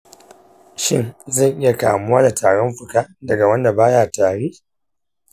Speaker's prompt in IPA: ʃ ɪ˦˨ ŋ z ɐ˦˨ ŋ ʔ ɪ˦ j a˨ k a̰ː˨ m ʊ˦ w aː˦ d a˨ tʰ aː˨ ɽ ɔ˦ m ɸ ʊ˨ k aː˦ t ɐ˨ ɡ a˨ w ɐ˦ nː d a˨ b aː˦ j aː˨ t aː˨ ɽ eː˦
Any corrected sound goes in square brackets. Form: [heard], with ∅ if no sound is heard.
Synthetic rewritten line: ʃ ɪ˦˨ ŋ z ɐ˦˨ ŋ ʔ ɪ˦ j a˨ k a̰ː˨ m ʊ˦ w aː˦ d a˨ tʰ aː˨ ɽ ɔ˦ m ɸ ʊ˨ k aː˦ [d] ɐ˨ ɡ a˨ w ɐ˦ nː d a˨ b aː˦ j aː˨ t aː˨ ɽ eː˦